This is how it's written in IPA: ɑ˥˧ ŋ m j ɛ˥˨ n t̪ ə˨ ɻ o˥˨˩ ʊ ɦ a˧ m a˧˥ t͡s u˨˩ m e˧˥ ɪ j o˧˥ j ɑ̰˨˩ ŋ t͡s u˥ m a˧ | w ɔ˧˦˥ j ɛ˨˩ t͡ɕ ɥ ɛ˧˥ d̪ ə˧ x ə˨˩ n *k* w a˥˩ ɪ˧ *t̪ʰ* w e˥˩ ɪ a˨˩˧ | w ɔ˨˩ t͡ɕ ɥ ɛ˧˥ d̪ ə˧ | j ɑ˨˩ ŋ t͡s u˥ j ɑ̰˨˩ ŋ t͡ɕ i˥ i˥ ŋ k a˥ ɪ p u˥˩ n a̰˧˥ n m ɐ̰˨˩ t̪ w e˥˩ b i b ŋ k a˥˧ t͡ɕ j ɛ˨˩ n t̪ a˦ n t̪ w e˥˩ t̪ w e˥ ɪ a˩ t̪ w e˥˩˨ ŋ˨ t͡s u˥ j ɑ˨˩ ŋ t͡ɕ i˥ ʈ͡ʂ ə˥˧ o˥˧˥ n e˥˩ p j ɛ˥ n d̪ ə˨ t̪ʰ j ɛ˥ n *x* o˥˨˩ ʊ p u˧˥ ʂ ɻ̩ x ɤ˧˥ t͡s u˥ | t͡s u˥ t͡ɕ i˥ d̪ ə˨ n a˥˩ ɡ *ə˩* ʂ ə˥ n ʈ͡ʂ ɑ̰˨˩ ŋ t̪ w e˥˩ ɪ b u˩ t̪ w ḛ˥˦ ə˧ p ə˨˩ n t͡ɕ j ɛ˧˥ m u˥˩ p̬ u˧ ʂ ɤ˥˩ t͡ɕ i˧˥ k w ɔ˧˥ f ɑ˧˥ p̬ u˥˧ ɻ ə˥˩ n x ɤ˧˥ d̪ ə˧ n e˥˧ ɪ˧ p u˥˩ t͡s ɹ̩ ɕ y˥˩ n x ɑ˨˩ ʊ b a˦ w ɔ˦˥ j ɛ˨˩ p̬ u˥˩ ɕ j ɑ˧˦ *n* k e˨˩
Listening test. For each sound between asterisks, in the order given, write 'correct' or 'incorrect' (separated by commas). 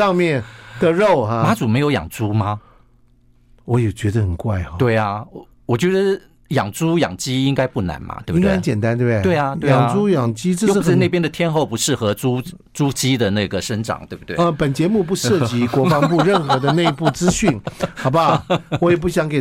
correct, incorrect, correct, correct, incorrect